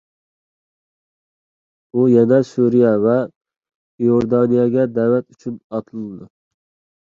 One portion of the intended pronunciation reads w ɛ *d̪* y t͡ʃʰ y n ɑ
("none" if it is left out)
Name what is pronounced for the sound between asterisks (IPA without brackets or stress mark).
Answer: t̪